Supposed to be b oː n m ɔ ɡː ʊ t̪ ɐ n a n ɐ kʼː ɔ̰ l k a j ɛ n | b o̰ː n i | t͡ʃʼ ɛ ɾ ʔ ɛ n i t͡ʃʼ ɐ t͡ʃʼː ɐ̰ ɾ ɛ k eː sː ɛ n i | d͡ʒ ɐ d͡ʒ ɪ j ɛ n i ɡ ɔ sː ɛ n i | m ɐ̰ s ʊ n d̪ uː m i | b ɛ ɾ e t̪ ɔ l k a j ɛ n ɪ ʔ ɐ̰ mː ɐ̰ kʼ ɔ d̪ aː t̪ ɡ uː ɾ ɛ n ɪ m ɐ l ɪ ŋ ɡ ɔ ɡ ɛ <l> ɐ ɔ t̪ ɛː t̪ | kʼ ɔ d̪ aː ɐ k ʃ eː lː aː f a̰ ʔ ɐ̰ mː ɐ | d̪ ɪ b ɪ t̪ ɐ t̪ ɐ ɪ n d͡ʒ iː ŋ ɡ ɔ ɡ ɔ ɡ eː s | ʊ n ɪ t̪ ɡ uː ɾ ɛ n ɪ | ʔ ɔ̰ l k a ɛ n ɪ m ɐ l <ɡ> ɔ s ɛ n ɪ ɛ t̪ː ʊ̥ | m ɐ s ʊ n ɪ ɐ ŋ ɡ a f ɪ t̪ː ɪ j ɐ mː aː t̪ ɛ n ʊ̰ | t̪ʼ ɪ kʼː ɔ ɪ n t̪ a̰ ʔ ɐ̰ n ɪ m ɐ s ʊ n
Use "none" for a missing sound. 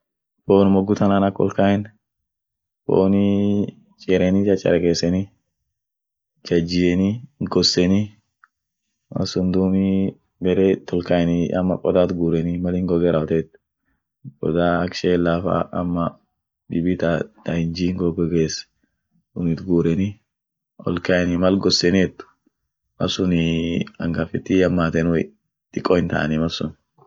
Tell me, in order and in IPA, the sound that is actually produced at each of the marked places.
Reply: ɾ, ɡ

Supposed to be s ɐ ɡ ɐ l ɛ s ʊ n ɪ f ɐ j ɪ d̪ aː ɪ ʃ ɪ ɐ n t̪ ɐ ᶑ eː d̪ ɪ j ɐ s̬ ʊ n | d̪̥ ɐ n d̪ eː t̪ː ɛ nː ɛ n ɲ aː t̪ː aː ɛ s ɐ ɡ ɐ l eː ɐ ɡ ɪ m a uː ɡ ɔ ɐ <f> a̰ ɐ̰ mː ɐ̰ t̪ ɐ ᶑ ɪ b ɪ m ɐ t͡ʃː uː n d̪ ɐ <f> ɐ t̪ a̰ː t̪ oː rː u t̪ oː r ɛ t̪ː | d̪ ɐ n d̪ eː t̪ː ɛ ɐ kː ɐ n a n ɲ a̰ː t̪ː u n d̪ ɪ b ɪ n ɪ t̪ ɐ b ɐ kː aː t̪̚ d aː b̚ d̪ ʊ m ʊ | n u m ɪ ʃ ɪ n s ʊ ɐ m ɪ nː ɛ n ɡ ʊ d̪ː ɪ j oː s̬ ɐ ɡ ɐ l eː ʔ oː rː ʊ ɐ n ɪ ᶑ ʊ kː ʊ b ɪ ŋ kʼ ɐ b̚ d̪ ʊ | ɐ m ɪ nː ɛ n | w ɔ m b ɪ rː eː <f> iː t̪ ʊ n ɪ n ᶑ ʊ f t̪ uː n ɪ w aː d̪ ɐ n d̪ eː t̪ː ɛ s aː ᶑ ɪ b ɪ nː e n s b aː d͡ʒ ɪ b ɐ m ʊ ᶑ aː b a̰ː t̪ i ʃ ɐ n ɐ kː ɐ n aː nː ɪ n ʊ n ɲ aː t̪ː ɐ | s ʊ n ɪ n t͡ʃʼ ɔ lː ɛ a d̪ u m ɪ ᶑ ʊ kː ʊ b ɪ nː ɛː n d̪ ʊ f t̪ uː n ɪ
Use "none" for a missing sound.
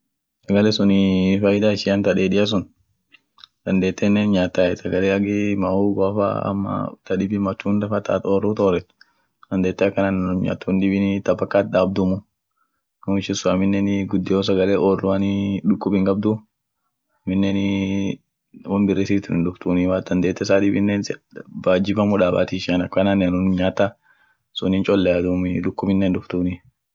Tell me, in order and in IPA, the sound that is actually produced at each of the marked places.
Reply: f, f, s

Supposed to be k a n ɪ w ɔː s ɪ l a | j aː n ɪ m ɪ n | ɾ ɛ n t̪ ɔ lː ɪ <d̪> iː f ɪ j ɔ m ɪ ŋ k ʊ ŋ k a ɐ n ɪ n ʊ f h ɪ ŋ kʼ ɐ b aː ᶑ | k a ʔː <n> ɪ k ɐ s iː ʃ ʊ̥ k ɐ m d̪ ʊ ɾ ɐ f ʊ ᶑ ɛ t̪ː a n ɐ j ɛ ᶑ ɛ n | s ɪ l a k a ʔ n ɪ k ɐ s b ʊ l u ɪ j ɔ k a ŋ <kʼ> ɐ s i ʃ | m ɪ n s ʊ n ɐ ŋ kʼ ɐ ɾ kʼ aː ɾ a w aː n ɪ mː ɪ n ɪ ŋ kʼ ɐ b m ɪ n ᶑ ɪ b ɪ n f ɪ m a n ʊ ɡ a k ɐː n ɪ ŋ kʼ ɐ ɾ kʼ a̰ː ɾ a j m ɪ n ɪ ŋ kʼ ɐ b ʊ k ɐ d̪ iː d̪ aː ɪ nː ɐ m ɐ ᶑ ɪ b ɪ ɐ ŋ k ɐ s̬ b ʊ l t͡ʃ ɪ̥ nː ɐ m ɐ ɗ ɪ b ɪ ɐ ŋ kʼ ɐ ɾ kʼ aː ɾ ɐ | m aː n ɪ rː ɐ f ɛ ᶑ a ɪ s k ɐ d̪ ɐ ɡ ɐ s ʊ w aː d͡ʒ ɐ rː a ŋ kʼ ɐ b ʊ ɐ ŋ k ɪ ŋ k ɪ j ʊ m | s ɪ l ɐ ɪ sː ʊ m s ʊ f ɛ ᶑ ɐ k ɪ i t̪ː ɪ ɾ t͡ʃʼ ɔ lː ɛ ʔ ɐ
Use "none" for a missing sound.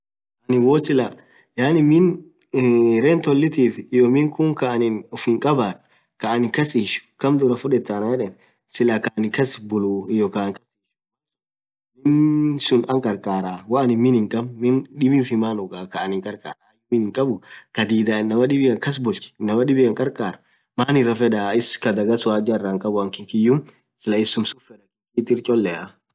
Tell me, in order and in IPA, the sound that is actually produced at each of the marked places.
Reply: t̪, n, k

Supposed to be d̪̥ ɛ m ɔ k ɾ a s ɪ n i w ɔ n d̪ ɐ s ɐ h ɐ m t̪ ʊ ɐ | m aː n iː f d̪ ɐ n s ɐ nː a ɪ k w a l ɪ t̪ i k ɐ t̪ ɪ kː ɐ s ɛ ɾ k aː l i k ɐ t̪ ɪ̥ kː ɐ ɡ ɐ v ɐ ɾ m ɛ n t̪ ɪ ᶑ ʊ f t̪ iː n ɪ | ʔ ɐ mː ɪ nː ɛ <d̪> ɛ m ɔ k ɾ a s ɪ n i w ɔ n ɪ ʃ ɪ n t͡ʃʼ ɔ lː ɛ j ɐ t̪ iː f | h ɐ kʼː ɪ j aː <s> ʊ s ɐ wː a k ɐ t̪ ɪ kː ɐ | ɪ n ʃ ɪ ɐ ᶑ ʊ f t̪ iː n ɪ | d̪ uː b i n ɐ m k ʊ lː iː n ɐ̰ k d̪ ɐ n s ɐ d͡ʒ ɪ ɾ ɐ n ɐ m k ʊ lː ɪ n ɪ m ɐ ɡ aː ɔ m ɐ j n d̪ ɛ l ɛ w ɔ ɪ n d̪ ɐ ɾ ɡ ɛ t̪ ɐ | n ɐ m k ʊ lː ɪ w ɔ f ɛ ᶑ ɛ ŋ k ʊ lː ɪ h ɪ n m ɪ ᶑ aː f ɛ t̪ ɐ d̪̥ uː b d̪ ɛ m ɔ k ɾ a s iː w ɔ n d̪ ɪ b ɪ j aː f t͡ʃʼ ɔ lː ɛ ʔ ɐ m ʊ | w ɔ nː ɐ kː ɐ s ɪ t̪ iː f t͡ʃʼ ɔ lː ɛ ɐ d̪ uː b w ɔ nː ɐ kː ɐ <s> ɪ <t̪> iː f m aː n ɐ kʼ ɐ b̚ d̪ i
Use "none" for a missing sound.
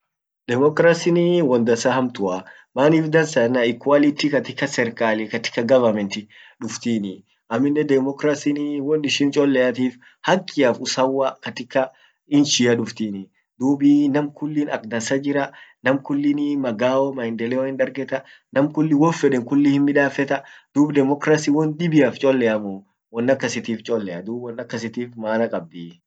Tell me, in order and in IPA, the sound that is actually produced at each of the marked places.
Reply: d̪, f, s, t̪

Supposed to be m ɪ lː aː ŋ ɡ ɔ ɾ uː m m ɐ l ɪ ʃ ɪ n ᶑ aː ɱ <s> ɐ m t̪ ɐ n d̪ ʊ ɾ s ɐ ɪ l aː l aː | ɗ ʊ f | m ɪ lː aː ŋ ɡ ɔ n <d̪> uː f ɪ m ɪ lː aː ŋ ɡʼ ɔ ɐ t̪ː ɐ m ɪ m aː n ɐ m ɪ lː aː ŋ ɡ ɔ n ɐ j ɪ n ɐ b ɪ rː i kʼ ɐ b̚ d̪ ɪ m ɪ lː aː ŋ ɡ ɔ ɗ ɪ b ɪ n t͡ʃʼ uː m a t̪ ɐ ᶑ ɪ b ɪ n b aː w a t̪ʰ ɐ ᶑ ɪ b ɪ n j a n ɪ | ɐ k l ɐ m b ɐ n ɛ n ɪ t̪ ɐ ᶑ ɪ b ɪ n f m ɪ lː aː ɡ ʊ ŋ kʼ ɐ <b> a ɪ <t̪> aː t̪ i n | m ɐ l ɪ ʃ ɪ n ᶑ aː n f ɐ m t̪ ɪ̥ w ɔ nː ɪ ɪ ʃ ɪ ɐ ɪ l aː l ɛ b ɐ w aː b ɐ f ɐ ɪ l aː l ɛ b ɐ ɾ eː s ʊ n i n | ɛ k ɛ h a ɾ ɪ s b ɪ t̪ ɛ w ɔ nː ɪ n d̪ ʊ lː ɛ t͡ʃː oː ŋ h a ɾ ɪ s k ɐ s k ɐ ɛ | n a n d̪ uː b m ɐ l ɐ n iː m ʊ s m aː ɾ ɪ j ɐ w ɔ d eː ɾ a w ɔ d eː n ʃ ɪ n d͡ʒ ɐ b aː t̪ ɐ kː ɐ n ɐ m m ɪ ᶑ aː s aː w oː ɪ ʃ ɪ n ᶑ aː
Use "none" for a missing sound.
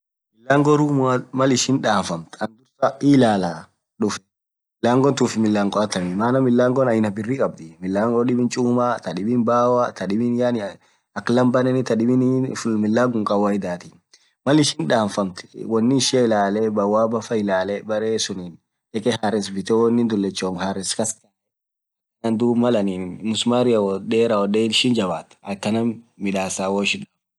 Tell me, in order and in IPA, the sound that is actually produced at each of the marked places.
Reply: f, t̪, w, d̪

